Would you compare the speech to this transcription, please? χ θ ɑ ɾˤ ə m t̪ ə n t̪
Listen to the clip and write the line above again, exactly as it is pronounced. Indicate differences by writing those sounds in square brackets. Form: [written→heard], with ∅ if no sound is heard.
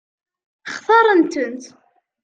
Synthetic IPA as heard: χ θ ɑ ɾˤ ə [m→n] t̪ ə n t̪